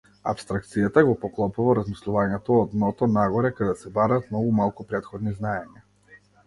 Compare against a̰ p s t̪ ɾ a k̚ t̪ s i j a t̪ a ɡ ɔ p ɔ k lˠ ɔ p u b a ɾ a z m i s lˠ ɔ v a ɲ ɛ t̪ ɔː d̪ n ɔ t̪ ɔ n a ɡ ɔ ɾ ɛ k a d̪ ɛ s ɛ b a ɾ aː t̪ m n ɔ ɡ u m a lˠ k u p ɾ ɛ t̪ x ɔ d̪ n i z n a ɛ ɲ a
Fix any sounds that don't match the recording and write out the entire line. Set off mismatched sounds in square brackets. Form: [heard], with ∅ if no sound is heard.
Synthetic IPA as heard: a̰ p s t̪ ɾ a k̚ t̪ s i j a t̪ a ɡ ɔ p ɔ k lˠ ɔ p u [v] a ɾ a z m i s lˠ [u] v a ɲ ɛ t̪ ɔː d̪ n ɔ t̪ ɔ n a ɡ ɔ ɾ ɛ k a d̪ ɛ s ɛ b a ɾ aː t̪ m n ɔ ɡ u m a lˠ k u p ɾ ɛ t̪ x ɔ d̪ n i z n a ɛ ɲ a